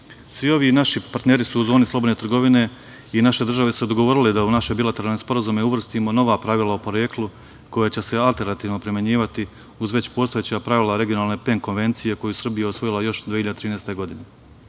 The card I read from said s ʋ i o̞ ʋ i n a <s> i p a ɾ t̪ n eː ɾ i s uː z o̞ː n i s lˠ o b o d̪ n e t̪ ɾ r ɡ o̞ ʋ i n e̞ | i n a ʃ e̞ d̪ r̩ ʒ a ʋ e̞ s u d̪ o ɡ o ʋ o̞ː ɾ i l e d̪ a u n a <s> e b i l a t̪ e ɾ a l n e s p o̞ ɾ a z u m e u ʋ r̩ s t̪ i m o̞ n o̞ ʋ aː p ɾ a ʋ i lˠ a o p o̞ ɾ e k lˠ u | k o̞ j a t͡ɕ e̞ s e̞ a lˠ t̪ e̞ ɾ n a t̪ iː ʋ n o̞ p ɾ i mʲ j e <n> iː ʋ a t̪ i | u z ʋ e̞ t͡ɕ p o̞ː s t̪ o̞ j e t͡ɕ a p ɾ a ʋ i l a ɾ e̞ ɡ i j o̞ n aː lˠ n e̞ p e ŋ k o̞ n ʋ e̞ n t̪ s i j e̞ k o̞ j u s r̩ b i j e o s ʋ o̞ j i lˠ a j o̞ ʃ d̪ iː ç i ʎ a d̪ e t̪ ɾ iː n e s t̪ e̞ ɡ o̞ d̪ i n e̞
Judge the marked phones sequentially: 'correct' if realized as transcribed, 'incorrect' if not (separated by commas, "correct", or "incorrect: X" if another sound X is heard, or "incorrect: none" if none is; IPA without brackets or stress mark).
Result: incorrect: ʃ, incorrect: ʃ, incorrect: ɲ